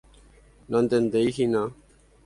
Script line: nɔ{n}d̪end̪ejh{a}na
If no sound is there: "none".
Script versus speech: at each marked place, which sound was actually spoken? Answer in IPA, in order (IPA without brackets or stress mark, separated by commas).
n, i